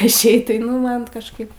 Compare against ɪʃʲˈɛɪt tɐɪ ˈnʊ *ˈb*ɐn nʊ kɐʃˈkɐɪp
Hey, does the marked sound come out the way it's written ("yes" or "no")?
no